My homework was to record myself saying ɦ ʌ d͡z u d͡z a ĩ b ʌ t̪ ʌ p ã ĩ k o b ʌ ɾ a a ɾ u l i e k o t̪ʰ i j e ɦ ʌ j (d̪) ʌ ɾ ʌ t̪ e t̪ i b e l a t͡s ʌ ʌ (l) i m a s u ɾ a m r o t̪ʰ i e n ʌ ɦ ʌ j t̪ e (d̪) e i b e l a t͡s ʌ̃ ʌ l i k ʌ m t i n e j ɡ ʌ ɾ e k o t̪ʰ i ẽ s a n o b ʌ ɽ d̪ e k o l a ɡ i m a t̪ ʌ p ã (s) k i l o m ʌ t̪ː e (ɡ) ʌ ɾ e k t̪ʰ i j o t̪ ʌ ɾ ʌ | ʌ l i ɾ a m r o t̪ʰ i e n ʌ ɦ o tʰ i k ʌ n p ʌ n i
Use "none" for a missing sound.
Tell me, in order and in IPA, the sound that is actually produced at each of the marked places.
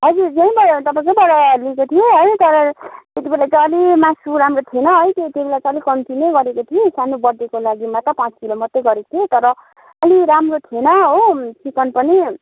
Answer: t̪, l, t̪, t͡s, ɡ

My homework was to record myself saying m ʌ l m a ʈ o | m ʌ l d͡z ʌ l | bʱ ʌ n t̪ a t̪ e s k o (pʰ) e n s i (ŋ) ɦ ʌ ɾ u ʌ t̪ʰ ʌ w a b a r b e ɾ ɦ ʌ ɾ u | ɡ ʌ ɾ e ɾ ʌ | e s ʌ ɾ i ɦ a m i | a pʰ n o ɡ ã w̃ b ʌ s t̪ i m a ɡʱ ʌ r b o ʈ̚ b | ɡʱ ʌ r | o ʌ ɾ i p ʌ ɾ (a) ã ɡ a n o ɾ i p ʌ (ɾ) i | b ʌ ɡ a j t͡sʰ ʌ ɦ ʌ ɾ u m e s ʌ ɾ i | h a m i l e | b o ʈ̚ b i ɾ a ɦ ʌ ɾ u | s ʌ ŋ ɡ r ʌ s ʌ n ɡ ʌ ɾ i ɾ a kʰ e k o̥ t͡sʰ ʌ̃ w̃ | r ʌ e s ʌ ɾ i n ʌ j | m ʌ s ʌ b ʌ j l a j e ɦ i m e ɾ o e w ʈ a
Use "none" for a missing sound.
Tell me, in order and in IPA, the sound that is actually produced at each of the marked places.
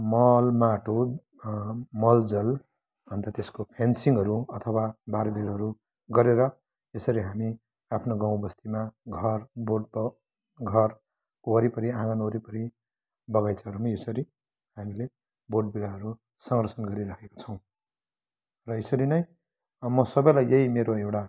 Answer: pʰ, ŋ, i, ɾ

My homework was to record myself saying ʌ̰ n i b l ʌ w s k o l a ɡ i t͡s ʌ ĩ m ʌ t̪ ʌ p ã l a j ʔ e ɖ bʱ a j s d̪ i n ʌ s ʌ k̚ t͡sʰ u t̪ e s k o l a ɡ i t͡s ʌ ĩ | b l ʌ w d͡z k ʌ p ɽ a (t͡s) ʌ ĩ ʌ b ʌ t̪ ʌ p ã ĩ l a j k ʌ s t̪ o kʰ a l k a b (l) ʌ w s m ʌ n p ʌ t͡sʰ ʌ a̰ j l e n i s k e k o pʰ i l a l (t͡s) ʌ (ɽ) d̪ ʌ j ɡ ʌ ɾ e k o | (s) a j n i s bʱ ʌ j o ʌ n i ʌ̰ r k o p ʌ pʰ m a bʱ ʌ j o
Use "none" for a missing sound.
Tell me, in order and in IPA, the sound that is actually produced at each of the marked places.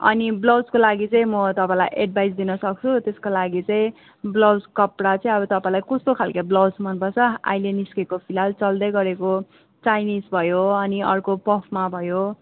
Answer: t͡s, l, t͡s, l, t͡s

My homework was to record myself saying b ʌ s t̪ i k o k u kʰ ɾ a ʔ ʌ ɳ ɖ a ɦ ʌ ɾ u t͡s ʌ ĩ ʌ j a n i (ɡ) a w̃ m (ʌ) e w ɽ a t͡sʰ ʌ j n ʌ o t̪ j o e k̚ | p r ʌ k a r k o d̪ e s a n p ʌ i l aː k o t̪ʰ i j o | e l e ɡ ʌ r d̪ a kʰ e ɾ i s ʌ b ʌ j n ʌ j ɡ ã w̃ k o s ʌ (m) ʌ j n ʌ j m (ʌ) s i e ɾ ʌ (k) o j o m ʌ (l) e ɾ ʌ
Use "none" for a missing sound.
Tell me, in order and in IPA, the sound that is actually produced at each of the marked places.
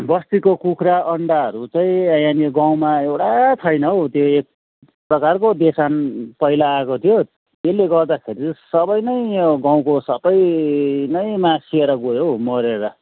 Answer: ɡ, a, b, a, ɡ, ɾ

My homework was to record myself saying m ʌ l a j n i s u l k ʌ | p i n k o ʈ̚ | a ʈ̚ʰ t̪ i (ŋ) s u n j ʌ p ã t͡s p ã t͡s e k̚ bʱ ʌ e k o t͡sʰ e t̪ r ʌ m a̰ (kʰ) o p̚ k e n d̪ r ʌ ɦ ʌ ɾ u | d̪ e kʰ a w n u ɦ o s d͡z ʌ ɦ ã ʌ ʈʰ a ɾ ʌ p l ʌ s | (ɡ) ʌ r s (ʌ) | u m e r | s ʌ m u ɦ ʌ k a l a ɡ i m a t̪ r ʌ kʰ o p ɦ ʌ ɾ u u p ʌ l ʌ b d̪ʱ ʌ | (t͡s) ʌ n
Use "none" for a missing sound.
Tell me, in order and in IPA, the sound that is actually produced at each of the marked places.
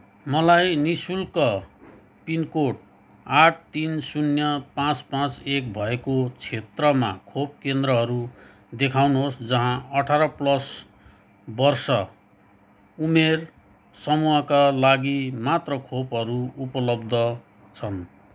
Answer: n, kʰ, b, ʌ, t͡sʰ

